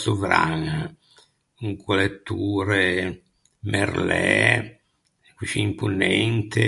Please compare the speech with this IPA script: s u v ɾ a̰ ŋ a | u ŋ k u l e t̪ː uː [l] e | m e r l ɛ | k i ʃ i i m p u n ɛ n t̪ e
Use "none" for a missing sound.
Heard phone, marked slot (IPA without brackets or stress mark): ɾ